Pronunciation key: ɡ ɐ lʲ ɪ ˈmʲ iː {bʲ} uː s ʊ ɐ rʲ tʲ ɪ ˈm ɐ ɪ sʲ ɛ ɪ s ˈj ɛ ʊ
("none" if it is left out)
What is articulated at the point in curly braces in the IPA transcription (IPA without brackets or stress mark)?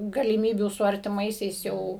bʲ